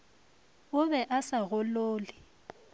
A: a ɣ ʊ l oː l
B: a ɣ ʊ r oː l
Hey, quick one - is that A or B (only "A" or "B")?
A